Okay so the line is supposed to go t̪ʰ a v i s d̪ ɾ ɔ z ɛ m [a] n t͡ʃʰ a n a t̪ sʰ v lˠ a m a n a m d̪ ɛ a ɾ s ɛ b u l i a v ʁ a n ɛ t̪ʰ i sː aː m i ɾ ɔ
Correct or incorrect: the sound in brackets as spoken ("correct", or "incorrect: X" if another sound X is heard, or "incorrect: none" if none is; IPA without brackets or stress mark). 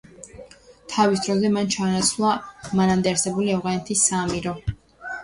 correct